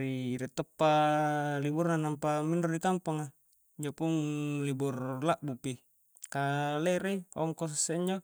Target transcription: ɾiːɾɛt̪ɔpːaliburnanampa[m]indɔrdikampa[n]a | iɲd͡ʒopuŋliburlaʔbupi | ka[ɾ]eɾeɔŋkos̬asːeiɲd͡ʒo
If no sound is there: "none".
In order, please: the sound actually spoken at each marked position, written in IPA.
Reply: m, ŋ, l

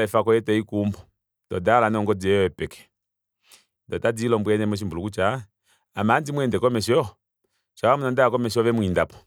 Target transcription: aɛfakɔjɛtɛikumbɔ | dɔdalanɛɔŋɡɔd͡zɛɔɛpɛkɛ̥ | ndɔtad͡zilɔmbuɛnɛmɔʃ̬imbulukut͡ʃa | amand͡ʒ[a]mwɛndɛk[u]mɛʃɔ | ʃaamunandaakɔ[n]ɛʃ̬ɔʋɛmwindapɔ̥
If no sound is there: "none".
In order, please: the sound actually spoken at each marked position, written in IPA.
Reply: i, ɔ, m

